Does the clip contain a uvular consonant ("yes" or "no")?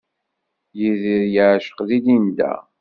yes